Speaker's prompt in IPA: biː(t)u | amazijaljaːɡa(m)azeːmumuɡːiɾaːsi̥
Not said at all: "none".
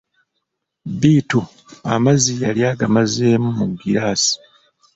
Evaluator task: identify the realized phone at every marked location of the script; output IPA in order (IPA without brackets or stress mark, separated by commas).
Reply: t, m